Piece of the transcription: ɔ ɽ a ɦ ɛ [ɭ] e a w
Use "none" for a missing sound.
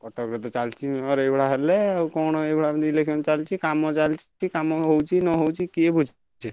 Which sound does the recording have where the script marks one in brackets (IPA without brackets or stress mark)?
l